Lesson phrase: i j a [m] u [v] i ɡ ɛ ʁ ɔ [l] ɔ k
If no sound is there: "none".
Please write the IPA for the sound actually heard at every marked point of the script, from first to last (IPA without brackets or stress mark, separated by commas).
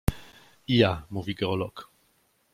m, v, l